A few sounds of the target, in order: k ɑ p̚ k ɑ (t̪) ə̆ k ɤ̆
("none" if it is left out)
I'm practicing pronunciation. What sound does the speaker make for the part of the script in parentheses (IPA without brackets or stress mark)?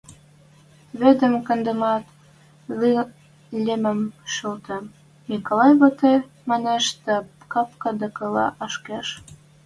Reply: d̪